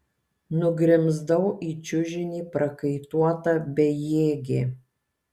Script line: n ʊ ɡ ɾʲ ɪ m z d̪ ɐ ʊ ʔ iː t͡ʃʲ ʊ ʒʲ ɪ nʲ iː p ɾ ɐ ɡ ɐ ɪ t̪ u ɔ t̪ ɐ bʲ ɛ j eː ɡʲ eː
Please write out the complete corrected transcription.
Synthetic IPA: n ʊ ɡ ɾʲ ɪ m z d̪ ɐ ʊ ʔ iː t͡ʃʲ ʊ ʒʲ ɪ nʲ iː p ɾ ɐ k ɐ ɪ t̪ u ɔ t̪ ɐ bʲ ɛ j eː ɡʲ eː